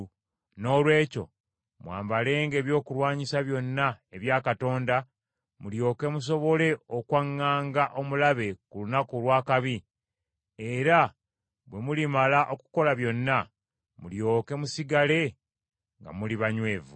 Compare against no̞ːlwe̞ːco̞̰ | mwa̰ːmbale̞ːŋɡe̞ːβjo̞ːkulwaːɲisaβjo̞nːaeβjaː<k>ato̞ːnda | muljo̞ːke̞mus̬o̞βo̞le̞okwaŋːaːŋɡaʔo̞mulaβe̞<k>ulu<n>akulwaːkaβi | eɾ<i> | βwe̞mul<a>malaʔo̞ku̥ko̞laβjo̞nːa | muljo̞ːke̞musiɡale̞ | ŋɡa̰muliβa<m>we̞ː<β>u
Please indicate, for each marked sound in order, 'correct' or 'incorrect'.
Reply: correct, correct, correct, incorrect, incorrect, incorrect, incorrect

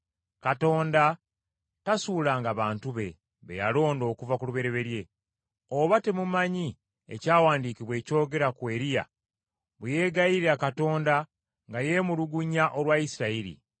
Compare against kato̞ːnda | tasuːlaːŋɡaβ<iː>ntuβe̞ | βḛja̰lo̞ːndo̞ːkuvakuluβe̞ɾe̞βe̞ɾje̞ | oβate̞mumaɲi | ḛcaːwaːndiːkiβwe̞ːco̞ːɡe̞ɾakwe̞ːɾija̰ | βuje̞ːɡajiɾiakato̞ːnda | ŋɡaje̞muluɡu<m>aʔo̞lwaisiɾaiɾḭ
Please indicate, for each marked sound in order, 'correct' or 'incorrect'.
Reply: incorrect, incorrect

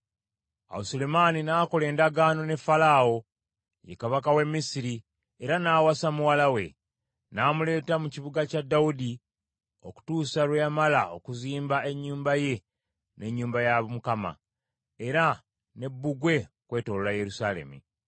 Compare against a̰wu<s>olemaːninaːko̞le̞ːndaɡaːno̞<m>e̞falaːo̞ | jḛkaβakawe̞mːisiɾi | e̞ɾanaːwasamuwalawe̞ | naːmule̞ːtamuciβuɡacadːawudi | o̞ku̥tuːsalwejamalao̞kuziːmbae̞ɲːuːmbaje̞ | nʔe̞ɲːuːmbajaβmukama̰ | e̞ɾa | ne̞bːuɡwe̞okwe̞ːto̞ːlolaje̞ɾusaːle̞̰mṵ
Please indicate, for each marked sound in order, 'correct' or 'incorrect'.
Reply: correct, incorrect

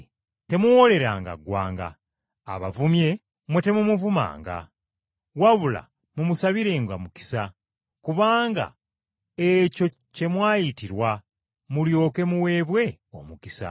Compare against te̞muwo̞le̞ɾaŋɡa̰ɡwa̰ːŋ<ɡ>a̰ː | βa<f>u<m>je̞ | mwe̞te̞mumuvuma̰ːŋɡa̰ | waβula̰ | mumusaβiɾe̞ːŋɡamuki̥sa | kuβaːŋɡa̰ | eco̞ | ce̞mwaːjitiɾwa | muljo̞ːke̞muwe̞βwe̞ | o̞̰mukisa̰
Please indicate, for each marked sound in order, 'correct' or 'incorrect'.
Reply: correct, incorrect, correct

